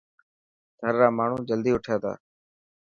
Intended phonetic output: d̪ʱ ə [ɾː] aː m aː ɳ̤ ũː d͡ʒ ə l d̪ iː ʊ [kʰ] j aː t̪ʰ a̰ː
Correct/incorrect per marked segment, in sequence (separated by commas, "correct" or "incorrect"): correct, incorrect